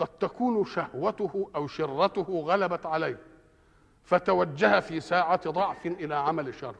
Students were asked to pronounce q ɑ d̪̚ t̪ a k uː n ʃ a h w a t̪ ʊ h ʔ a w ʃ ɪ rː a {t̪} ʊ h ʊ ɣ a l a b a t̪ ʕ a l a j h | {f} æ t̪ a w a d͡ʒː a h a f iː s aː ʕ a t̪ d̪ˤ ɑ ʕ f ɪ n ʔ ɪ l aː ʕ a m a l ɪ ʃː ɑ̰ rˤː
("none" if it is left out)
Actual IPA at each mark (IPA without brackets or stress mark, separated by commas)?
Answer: t̪, f